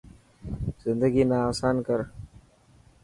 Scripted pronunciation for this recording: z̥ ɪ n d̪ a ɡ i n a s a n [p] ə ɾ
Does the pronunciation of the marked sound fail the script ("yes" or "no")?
yes